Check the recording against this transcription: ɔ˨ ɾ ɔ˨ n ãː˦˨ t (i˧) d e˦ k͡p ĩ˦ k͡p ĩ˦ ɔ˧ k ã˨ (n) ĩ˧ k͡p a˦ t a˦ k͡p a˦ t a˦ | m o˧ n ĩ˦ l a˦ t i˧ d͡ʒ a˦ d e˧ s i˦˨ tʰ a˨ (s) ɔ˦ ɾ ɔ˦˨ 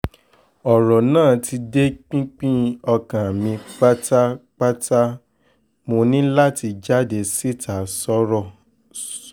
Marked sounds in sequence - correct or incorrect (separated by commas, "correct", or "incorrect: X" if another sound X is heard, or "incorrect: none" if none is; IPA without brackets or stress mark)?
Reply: correct, incorrect: m, correct